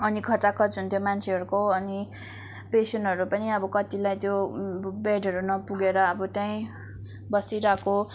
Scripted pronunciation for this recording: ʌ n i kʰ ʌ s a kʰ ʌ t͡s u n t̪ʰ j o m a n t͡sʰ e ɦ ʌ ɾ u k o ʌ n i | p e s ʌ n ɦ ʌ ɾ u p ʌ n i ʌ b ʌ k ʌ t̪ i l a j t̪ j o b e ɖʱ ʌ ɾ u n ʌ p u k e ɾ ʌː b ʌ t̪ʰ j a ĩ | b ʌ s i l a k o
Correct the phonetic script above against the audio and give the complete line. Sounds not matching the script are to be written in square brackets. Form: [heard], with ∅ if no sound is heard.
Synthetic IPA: ʌ n i kʰ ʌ [t͡s] a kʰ ʌ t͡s u n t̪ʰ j o m a n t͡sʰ e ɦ ʌ ɾ u k o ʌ n i | p e s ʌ n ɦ ʌ ɾ u p ʌ n i ʌ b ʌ k ʌ t̪ i l a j t̪ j o b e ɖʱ ʌ ɾ u n ʌ p u [ɡ] e ɾ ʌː b ʌ [t̪] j a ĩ | b ʌ s i [ɾ] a k o